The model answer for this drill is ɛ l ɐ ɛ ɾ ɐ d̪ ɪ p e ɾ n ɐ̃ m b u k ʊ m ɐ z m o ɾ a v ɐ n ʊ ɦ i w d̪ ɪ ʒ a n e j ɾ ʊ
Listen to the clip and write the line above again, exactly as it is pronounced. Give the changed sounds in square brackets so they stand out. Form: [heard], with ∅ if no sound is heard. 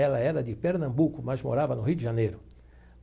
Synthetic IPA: ɛ l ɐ ɛ ɾ ɐ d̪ ɪ p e ɾ n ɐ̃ m b u k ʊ m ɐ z m o ɾ a v ɐ n ʊ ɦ i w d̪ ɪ ʒ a n e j ɾ ʊ